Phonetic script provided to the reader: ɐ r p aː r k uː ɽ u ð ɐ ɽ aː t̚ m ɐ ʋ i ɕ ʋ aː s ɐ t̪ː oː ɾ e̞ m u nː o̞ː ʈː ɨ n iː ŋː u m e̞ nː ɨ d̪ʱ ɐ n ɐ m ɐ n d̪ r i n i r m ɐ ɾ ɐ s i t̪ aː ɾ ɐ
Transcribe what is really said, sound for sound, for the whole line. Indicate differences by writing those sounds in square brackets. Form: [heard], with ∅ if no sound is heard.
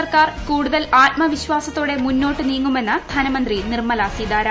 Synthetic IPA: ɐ r [k] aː r k uː ɽ u ð ɐ [l] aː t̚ m ɐ ʋ i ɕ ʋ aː s ɐ t̪ː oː [ɽ] e̞ m u nː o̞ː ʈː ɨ n iː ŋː u m e̞ nː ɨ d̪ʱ ɐ n ɐ m ɐ n d̪ r i n i r m ɐ [l] ɐ s i [d̪] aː ɾ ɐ